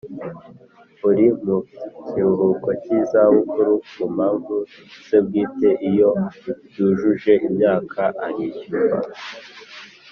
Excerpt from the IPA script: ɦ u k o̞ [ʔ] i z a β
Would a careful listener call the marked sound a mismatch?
yes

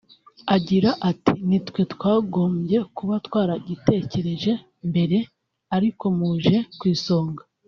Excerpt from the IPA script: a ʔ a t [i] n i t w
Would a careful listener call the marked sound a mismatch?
no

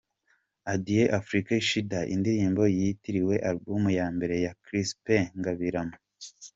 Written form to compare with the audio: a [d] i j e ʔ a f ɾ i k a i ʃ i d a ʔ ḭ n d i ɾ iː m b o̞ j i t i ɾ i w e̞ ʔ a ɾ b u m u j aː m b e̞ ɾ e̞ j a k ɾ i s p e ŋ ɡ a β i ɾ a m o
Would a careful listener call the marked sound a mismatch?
no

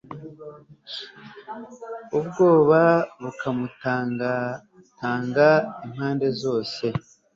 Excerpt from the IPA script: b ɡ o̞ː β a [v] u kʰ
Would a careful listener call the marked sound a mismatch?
yes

